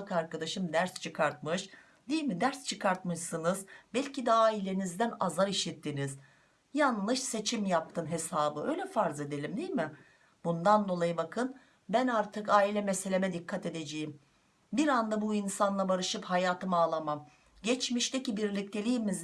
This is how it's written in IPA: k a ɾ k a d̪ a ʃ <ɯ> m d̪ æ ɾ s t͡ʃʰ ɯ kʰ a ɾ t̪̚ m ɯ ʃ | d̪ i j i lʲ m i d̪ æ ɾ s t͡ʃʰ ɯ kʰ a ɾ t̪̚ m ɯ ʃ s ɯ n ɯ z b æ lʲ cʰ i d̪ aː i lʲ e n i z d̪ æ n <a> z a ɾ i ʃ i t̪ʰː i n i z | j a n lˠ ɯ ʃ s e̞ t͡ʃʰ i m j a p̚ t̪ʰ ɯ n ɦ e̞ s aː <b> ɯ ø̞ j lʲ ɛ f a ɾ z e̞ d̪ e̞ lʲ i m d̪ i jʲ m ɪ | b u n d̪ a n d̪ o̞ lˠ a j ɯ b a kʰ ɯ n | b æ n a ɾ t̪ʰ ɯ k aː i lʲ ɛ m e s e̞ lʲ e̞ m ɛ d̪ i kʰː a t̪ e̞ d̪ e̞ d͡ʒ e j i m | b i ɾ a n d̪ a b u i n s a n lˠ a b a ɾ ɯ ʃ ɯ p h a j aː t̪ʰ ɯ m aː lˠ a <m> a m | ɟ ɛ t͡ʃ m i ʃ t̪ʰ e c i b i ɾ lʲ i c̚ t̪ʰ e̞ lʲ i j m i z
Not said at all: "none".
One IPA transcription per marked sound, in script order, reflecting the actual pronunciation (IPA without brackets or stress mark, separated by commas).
ɯ, a, b, m